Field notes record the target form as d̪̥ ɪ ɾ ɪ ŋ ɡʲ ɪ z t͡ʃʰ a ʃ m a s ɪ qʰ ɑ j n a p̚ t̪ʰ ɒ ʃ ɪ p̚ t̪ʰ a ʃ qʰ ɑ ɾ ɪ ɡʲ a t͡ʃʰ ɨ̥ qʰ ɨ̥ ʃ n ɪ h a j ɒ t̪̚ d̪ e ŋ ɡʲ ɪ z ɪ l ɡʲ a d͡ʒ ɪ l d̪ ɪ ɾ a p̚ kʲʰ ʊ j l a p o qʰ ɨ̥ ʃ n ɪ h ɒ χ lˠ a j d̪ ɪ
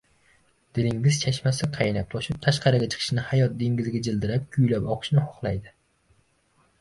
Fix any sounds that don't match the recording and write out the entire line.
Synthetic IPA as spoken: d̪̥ ɪ l ɪ ŋ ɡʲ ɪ z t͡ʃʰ a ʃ m a s ɪ qʰ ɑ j n a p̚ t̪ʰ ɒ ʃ ɪ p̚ t̪ʰ a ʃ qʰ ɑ ɾ ɪ ɡʲ a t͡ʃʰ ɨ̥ qʰ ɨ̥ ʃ n ɪ h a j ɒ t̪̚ d̪ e ŋ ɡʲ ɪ z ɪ ɡʲ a d͡ʒ ɪ l d̪ ɪ ɾ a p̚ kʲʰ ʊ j l a p ɒ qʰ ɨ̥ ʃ n ɪ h ɒ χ lˠ a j d̪ ɪ